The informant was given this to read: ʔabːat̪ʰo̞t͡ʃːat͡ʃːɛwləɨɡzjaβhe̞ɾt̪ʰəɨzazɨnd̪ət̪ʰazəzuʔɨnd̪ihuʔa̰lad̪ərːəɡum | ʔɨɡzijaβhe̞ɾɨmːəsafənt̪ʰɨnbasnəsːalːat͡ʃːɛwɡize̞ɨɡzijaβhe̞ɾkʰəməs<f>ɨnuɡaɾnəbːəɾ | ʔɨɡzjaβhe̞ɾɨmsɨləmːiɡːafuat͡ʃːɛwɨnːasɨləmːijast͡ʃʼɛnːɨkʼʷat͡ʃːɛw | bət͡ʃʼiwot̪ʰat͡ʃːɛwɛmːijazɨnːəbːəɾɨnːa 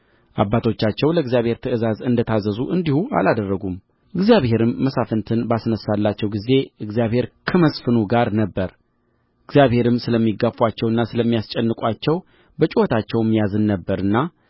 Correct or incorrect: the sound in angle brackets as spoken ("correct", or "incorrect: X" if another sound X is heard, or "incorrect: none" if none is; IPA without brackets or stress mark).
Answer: correct